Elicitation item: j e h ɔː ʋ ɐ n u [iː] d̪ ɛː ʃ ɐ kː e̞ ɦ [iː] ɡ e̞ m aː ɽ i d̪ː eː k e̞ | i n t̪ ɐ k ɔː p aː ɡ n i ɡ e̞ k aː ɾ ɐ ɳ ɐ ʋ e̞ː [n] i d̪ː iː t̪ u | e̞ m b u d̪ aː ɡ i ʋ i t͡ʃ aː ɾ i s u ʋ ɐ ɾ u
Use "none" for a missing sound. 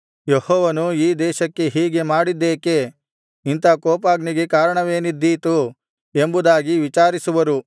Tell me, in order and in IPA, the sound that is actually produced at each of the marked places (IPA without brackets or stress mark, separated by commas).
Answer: iː, iː, n